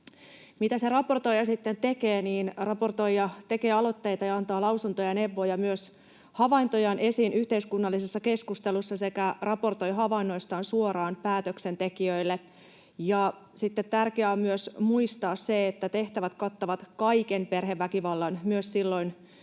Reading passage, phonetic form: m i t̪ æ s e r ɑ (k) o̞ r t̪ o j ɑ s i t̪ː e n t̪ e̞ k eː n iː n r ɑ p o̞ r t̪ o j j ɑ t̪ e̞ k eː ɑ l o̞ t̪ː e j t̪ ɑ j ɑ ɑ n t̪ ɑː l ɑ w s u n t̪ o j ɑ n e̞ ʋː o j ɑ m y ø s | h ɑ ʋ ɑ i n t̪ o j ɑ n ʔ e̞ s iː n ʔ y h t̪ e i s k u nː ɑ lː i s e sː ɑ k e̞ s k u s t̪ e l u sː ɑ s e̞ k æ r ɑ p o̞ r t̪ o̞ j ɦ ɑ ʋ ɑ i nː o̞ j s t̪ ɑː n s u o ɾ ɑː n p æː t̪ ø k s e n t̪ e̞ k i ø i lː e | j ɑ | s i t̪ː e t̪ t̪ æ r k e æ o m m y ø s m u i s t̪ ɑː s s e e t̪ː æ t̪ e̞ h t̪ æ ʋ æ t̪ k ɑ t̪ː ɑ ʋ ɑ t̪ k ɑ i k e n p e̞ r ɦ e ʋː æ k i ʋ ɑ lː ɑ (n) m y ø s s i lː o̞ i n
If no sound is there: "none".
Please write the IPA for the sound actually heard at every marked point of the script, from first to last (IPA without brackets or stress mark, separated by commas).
p, n